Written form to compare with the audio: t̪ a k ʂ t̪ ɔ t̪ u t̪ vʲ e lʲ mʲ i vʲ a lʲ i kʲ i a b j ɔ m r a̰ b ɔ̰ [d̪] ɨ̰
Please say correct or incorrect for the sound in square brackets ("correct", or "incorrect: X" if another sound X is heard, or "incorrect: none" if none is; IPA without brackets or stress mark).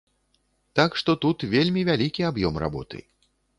incorrect: t̪